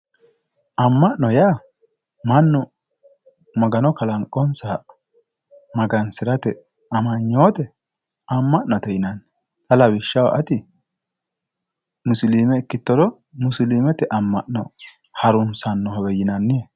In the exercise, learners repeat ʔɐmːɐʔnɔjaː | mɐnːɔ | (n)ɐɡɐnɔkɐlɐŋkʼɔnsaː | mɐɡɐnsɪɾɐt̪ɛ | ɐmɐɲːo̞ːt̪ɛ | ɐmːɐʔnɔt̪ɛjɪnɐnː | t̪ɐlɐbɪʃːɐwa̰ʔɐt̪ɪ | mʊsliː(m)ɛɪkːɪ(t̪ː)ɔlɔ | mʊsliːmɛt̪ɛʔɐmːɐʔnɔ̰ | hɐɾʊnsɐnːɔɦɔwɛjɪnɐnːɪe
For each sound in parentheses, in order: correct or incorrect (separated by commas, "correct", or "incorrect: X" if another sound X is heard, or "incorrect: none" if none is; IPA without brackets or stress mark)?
incorrect: m, correct, correct